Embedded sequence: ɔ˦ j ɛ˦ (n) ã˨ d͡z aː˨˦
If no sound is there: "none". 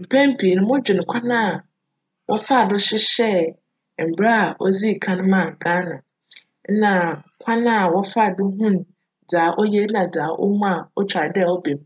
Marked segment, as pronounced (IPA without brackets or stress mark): n